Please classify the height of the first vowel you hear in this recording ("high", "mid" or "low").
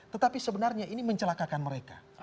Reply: mid